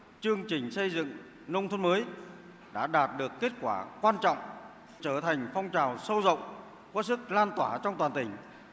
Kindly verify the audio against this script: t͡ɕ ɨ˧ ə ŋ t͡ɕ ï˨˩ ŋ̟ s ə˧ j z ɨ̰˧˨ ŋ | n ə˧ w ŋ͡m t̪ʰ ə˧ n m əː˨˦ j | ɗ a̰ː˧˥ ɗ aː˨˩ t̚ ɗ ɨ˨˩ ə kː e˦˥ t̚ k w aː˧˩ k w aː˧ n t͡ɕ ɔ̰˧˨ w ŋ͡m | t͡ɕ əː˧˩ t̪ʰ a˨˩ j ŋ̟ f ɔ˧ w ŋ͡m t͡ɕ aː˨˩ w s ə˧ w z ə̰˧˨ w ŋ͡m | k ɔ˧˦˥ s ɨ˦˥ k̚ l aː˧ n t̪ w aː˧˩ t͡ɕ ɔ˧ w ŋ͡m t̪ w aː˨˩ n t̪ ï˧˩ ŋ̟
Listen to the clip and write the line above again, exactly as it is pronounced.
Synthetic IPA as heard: t͡ɕ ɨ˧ ə ŋ t͡ɕ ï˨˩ ŋ̟ s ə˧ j z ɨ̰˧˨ ŋ | n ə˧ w ŋ͡m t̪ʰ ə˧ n m əː˨˦ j | ɗ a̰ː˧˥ ɗ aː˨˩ t̚ ɗ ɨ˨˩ ə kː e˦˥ t̚ k w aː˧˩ k w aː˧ n t͡ɕ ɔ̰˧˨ w ŋ͡m | t͡ɕ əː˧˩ t̪ʰ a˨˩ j ŋ̟ f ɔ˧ w ŋ͡m t͡ɕ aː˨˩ w s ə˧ w z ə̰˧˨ w ŋ͡m | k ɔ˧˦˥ s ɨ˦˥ k̚ l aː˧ n t̪ w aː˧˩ t͡ɕ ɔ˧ w ŋ͡m t̪ w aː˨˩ n t̪ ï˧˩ ŋ̟